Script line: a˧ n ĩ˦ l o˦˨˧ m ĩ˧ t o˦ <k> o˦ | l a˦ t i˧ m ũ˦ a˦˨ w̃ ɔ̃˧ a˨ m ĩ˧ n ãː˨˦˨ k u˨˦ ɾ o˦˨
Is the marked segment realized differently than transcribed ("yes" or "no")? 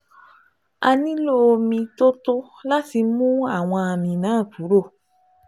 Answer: yes